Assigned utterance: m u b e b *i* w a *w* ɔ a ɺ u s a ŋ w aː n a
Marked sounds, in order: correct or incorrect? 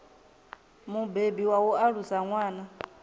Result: correct, correct

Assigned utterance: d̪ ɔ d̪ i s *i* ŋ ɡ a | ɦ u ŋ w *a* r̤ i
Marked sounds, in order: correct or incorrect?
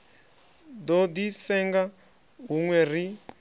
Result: incorrect: ɛ, incorrect: ɛ

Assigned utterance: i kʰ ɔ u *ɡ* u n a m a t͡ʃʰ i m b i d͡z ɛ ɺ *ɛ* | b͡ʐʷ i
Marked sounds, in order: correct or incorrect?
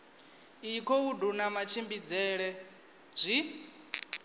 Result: incorrect: d, correct

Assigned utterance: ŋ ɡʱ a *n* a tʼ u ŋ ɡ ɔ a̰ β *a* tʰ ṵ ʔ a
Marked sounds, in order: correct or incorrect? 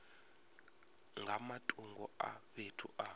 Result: incorrect: m, incorrect: e

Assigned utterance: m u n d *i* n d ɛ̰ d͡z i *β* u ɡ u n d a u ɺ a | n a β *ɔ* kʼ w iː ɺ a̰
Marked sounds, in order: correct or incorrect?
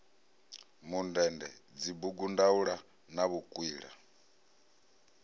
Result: incorrect: ɛ, incorrect: b, incorrect: u

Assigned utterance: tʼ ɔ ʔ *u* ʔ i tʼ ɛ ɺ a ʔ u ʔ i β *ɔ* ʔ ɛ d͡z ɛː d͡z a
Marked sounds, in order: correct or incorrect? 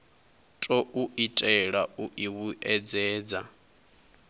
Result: correct, incorrect: u

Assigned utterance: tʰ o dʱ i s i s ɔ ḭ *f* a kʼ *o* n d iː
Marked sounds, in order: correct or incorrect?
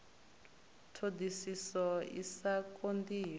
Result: incorrect: s, correct

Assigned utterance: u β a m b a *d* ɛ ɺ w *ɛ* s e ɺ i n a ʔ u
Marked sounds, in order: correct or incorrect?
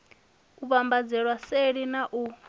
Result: incorrect: d͡z, incorrect: a

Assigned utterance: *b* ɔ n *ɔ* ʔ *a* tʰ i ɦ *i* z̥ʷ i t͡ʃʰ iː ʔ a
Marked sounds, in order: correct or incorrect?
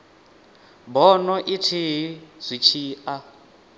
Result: correct, correct, incorrect: i, correct

